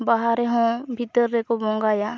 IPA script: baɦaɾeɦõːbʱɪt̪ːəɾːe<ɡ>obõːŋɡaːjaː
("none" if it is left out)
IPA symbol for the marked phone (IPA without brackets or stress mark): k